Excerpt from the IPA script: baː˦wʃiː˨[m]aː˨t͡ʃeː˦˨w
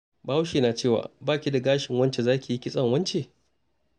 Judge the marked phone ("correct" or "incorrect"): incorrect